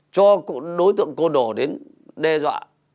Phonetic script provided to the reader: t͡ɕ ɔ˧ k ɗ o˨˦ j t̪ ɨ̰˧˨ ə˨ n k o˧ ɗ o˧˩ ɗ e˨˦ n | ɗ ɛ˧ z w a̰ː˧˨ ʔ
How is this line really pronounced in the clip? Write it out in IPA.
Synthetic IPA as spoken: t͡ɕ ɔ˧ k ɗ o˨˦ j t̪ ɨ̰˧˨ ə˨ ŋ k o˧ ɗ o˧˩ ɗ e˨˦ n | ɗ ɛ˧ z w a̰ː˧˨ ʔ

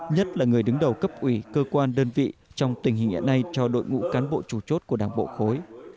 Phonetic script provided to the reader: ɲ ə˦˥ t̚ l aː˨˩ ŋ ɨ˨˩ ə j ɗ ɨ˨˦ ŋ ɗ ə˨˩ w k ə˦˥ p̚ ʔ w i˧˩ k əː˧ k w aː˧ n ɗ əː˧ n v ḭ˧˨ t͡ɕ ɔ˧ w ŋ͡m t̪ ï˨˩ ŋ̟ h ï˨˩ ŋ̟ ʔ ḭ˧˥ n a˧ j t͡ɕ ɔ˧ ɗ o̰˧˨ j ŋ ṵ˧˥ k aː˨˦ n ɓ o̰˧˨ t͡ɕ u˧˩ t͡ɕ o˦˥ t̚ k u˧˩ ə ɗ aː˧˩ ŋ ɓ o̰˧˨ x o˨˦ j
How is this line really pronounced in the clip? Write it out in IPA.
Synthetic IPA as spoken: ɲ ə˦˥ t̚ l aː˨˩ ŋ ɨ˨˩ ə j ɗ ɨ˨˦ ŋ ɗ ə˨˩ w k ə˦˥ p̚ ʔ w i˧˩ k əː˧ k w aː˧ n ɗ əː˧ n v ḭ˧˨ t͡ɕ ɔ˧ w ŋ͡m t̪ ï˨˩ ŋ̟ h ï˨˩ ŋ̟ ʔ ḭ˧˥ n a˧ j t͡ɕ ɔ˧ ɗ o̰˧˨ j ŋ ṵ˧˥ k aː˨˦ n ɓ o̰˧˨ t͡ɕ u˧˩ t͡ɕ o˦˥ t̚ k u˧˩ ə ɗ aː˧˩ ŋ ɓ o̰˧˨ x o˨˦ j

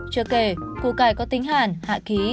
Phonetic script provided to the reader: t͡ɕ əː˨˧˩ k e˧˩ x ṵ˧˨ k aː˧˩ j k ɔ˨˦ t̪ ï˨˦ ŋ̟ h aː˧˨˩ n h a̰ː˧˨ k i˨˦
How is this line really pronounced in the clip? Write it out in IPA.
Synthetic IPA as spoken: t͡ɕ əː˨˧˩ k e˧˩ k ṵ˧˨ k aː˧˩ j k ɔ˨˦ t̪ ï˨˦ ŋ̟ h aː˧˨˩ n h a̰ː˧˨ k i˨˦

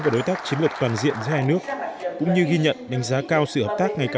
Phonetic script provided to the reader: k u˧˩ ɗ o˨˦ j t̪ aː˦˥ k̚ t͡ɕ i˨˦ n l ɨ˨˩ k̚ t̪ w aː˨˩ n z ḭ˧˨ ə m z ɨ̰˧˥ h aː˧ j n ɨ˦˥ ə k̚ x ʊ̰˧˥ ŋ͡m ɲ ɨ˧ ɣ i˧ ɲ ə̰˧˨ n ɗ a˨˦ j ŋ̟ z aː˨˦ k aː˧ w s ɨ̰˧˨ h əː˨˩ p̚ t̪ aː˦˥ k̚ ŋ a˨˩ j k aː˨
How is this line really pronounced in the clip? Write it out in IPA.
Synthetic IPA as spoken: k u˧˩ ɗ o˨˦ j t̪ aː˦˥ k̚ t͡ɕ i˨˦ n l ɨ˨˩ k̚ t̪ w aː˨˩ n z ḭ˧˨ ə n z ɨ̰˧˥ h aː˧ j n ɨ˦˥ ə k̚ k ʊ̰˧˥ ŋ͡m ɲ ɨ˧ ɣ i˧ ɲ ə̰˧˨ n ɗ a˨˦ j ŋ̟ z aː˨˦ k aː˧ w s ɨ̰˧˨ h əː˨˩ p̚ t̪ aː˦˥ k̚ ŋ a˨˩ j k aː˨

